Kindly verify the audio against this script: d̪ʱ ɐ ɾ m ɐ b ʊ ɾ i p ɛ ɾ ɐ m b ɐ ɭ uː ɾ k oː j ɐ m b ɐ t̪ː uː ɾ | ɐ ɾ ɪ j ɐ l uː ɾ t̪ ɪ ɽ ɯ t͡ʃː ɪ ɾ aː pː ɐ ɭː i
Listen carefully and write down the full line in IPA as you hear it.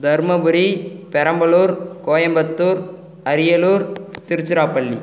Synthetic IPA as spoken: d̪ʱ ɐ ɾ m ɐ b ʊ ɾ i p ɛ ɾ ɐ m b ɐ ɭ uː ɾ k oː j ɐ m b ɐ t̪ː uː ɾ | ɐ ɾ ɪ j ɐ l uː ɾ t̪ ɪ ɾ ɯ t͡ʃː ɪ ɾ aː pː ɐ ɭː i

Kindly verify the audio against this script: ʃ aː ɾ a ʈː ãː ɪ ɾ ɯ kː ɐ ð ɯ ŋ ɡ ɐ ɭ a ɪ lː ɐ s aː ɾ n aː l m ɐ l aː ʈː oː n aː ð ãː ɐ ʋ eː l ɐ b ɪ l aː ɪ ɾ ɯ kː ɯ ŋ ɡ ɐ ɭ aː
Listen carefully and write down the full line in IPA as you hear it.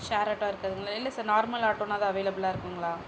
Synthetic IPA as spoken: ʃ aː ɾ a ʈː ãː ɪ ɾ ɯ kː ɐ ð ɯ ŋ ɡ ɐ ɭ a ɪ lː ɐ s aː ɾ n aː ɾ m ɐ l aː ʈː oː n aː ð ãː ɐ ʋ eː l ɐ b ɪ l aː ɪ ɾ ɯ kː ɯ ŋ ɡ ɐ ɭ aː

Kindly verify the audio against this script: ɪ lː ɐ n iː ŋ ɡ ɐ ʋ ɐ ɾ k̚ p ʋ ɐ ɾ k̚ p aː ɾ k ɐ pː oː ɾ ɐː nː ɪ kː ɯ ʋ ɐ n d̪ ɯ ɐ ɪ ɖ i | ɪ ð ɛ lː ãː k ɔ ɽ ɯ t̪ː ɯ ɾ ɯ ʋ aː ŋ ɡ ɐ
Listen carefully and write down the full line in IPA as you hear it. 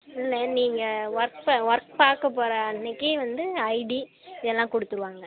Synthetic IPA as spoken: ɪ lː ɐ n iː ŋ ɡ ɐ ʋ ɐ ɾ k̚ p ʋ ɐ ɾ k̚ p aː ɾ k ɐ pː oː ɾ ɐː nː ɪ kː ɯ ʋ ɐ n d̪ ɯ ɐ ɪ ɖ i | ɪ ð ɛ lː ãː k ɔ ɽ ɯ t̪ː ɯ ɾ ɯ ʋ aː ŋ ɡ ɐ

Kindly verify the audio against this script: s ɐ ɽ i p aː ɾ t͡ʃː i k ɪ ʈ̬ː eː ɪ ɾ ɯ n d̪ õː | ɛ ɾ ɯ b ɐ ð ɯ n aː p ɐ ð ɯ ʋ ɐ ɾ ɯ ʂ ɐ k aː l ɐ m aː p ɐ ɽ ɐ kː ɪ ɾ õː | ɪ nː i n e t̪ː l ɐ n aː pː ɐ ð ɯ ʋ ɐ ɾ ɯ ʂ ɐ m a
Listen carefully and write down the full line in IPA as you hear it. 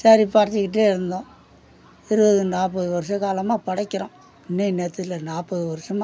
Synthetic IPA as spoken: s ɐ ɾ i p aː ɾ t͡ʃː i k ɪ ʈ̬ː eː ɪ ɾ ɯ n d̪ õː | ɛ ɾ ɯ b ɐ ð ɯ n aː p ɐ ð ɯ ʋ ɐ ɾ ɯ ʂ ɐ k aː l ɐ m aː p ɐ ɽ ɐ kː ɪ ɾ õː | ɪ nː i n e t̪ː l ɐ n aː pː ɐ ð ɯ ʋ ɐ ɾ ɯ ʂ ɐ m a

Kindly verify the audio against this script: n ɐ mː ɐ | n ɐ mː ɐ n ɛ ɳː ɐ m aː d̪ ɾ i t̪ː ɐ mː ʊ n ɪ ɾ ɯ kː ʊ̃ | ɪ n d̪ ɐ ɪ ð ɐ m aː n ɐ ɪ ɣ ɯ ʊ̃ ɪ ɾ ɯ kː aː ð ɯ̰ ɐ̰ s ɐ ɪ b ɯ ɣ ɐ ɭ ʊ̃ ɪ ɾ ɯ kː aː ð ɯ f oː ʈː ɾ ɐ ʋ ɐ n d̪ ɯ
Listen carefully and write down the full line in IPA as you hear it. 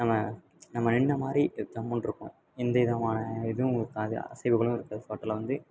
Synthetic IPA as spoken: n ɐ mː ɐ | n ɐ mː ɐ n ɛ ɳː ɐ m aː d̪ ɾ i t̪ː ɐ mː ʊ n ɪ ɾ ɯ kː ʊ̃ | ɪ n d̪ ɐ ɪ ð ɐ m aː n ɐ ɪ ð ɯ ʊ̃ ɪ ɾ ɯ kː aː ð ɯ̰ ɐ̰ s ɐ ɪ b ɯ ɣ ɐ ɭ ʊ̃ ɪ ɾ ɯ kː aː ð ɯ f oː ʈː l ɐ ʋ ɐ n d̪ ɯ

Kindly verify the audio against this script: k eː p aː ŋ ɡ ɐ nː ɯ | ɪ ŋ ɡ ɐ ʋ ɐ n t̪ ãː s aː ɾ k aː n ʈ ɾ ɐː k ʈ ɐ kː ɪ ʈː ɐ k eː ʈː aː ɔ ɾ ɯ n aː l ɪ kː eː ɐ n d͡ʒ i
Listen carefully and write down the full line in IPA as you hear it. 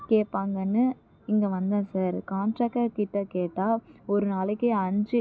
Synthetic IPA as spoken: k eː p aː ŋ ɡ ɐ nː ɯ | ɪ ŋ ɡ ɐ ʋ ɐ n d̪ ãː s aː ɾ k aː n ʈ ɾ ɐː k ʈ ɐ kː ɪ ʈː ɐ k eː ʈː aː ɔ ɾ ɯ n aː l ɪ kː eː ɐ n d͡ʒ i

